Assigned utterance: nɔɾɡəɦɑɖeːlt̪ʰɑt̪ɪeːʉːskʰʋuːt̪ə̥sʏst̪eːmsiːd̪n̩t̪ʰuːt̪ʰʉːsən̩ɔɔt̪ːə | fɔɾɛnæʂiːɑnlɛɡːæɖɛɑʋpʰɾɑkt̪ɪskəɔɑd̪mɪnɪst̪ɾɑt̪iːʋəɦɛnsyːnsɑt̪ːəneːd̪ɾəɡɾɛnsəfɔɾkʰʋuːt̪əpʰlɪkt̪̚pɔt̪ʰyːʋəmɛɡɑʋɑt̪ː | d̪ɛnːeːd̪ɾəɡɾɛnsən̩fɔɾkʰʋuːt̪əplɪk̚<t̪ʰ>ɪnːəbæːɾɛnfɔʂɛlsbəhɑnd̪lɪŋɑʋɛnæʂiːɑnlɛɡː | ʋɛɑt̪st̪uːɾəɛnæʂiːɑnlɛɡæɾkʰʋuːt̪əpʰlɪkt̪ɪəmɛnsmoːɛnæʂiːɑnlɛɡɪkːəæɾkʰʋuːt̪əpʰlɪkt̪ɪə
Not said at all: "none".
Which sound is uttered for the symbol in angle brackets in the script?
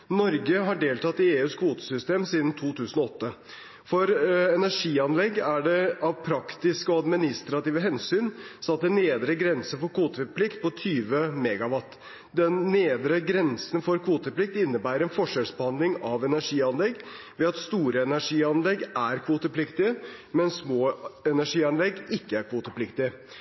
t̪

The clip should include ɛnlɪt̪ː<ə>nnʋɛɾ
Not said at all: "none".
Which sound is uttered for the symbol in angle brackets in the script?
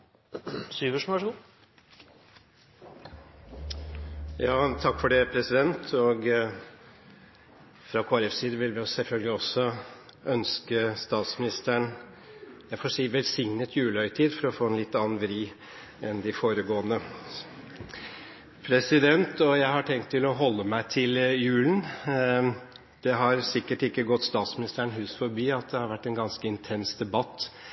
ɑ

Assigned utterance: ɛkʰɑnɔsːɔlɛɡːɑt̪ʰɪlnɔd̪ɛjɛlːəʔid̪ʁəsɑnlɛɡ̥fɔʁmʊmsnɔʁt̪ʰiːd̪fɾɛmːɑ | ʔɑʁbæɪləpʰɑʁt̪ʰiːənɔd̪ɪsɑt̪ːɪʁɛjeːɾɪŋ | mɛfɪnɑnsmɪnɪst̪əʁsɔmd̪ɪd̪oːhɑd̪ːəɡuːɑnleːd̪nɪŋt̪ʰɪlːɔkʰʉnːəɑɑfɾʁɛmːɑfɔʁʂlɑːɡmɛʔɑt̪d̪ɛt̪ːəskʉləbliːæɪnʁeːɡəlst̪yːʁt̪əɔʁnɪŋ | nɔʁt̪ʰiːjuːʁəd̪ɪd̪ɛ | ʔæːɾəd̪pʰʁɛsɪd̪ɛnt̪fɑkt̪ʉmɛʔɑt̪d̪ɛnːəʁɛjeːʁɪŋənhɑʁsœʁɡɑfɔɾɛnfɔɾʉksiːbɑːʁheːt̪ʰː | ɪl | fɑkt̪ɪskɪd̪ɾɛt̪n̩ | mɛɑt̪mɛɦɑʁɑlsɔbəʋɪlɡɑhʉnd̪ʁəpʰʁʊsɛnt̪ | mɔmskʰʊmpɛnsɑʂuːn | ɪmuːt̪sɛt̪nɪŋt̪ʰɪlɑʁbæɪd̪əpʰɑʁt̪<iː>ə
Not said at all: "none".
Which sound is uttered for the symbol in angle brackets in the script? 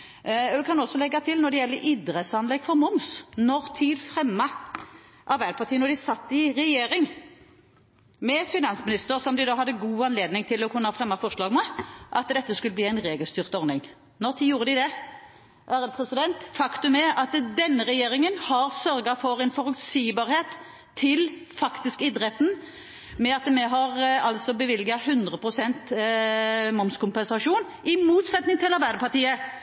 iː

